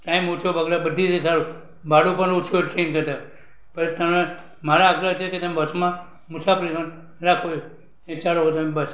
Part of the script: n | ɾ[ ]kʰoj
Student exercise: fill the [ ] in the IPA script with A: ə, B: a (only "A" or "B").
B